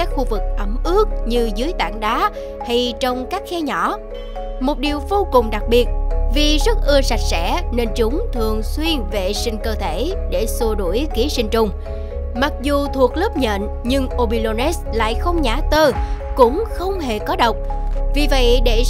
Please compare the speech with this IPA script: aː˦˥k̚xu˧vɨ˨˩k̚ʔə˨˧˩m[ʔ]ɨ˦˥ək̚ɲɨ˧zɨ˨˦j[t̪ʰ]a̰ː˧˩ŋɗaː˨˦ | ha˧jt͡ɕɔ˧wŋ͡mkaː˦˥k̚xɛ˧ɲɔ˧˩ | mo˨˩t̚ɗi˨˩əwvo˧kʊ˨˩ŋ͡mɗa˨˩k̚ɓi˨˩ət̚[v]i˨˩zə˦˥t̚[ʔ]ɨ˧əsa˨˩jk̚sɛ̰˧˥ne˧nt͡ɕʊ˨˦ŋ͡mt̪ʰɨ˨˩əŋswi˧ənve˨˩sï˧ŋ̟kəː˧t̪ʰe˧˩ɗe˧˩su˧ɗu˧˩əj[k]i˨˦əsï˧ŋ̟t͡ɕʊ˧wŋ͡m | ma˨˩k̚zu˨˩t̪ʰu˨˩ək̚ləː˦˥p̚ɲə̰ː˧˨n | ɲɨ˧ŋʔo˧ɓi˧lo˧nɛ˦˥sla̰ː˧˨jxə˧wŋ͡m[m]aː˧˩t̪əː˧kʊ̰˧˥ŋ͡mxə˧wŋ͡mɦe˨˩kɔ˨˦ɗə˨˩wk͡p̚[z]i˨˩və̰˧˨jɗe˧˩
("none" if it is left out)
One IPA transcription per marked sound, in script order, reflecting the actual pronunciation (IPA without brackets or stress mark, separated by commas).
ʔ, t̪, v, ʔ, k, ɲ, v